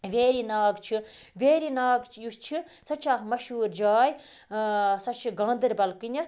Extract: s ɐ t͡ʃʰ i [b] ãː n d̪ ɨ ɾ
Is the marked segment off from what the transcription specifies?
yes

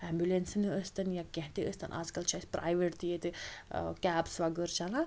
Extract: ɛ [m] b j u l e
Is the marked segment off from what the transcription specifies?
no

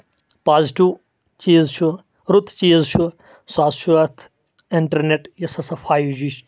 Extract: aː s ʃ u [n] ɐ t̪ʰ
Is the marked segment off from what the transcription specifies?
yes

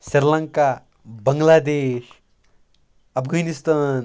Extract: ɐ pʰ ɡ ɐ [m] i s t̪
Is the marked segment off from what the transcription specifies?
yes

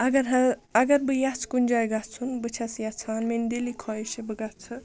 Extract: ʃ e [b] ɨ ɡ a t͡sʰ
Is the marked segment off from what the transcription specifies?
no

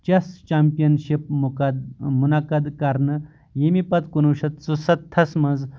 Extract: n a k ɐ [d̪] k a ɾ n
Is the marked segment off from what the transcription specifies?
no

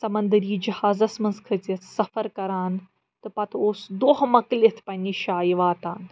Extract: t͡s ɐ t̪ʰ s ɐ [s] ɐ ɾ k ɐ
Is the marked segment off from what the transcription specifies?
yes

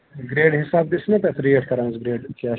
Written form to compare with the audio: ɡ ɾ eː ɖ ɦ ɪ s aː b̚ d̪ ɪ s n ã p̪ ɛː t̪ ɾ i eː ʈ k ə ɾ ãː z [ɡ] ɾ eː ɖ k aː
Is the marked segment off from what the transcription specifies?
no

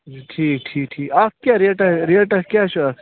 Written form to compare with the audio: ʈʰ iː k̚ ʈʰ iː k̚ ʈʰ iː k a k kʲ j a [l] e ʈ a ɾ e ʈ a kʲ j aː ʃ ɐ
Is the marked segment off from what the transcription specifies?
yes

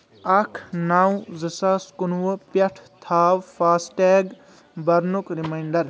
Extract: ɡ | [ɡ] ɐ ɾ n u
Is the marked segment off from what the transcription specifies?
yes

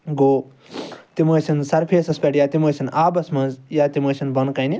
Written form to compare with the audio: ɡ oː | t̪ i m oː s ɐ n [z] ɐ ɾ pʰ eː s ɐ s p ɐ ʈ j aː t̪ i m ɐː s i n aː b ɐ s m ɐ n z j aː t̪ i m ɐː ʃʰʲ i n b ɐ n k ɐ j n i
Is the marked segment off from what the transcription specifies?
yes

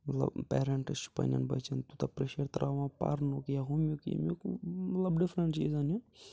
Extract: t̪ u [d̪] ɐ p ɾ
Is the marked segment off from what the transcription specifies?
yes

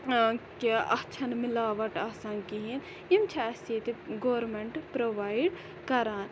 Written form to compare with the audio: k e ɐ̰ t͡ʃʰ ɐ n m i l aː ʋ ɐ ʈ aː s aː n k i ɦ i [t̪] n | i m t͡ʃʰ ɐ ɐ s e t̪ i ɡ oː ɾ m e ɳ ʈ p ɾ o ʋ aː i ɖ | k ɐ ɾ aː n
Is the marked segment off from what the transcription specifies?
yes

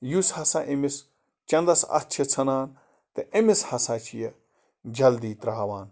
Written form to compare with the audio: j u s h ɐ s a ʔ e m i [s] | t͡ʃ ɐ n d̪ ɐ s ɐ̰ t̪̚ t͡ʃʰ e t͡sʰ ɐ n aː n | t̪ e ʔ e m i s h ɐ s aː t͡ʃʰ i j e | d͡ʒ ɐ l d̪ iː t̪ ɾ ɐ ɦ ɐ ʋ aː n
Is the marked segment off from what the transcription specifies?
no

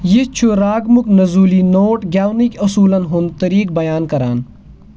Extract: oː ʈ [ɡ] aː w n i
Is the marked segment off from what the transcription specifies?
no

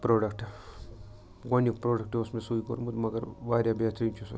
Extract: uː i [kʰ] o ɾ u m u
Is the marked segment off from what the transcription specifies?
yes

